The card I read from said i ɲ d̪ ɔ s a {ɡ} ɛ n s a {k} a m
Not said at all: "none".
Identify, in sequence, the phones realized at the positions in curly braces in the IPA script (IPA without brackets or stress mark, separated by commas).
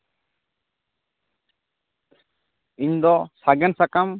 ɡ, k